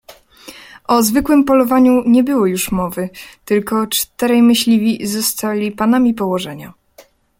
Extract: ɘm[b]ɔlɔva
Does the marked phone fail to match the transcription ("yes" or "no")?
yes